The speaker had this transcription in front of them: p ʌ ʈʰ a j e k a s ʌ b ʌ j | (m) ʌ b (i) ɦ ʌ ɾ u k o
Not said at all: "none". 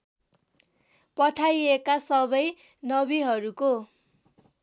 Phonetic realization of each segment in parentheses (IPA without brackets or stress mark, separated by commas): n, i